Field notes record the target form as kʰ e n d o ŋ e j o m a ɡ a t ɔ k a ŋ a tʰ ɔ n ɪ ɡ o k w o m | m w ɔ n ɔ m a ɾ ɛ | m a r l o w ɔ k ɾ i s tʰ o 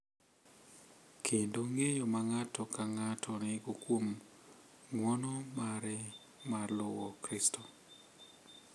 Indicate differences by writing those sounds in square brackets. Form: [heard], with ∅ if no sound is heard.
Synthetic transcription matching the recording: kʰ e n d o ŋ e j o m a [ŋ] a t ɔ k a ŋ a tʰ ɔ n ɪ ɡ o k w o m | [ŋ] w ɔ n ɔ m a ɾ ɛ | m a r l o w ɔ k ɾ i s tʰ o